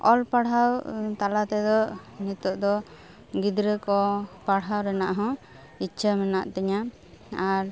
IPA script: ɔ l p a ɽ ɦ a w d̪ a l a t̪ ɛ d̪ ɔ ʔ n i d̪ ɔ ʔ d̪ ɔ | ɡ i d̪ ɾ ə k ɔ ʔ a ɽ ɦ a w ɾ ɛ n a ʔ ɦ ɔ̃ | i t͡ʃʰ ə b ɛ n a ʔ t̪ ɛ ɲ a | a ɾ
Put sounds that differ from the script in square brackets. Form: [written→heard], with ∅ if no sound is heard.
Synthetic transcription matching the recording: ɔ l p a ɽ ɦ a w [d̪→t̪] a l a t̪ ɛ d̪ ɔ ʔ n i [d̪→t̪] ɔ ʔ d̪ ɔ | ɡ i d̪ ɾ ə k ɔ [ʔ→p] a ɽ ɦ a w ɾ ɛ n a ʔ ɦ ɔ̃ | i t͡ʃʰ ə [b→m] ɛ n a ʔ t̪ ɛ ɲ a | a ɾ